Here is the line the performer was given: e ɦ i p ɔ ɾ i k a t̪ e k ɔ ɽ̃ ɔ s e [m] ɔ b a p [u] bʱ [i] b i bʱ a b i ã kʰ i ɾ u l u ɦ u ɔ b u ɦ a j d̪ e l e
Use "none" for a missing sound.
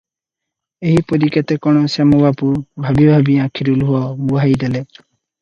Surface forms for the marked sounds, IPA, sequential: m, u, a

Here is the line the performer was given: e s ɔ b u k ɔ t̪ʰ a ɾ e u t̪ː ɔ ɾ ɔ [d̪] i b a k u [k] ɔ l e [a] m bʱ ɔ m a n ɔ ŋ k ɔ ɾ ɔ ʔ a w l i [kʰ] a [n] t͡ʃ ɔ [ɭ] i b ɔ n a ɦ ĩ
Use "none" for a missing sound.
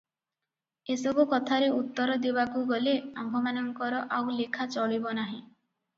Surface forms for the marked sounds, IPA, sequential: d̪, ɡ, a, kʰ, none, ɭ

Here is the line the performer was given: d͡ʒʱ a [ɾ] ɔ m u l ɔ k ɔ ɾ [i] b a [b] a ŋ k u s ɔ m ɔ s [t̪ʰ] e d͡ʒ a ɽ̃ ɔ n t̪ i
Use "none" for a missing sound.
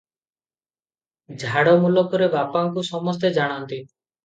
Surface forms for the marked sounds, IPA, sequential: ɽ, e, p, t̪

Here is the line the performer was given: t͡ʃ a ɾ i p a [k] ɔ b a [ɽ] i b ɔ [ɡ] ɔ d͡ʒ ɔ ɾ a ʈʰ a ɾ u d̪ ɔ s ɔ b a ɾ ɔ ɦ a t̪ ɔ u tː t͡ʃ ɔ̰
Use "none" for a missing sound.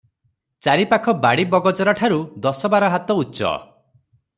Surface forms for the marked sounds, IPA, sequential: kʰ, ɽ, ɡ

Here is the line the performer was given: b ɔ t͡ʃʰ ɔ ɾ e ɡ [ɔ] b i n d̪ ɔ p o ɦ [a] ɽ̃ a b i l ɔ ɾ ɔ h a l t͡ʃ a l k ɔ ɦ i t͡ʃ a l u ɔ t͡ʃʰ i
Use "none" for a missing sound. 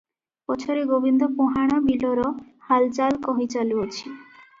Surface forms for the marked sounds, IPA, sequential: o, a

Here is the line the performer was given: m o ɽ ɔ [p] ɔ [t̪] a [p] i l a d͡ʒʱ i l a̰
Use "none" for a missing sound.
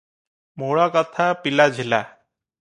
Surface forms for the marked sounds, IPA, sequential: k, t̪ʰ, p

